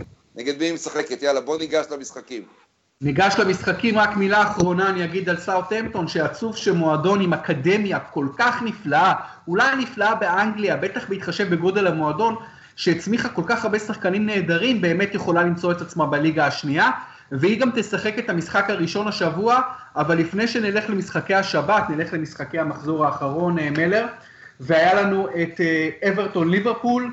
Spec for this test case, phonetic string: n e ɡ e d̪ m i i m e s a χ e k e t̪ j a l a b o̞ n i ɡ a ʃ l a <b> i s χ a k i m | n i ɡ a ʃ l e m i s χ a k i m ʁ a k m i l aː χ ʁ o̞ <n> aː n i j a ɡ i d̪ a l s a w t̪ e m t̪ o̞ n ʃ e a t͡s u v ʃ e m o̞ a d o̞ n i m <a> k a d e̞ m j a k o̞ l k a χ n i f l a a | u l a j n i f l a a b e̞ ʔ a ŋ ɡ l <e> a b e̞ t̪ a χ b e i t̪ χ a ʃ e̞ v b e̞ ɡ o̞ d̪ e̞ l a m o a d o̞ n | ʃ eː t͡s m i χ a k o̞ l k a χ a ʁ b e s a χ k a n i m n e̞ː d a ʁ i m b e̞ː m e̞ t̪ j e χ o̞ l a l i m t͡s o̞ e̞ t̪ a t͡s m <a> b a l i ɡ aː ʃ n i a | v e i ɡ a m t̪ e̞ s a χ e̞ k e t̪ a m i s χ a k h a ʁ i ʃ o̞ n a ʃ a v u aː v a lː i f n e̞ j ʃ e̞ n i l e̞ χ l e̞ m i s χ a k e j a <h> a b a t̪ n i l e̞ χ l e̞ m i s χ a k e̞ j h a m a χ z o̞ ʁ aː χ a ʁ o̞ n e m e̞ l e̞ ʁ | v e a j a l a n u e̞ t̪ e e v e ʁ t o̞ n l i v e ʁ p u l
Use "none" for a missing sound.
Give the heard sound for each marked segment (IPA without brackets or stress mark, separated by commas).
m, n, a, i, a, ʃ